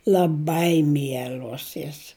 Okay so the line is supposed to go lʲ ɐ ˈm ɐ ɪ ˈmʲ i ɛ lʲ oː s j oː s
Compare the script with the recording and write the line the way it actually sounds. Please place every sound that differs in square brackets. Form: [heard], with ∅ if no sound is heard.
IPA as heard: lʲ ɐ [ˈb] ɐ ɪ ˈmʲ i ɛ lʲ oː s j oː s